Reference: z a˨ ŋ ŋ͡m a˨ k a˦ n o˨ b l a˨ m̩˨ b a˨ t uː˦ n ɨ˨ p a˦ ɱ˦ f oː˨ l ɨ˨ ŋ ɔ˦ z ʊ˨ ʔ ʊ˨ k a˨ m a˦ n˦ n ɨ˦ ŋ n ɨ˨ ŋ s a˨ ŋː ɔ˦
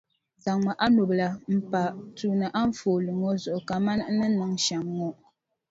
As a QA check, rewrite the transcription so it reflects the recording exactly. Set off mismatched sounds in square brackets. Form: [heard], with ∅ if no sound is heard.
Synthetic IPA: z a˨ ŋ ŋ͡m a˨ [ʔ] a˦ n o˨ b l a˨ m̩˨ [p] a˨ t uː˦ n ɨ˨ [ʔ] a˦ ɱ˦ f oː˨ l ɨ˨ ŋ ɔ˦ z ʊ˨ ʔ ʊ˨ k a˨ m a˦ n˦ n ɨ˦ [∅] n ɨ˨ ŋ [ʃ] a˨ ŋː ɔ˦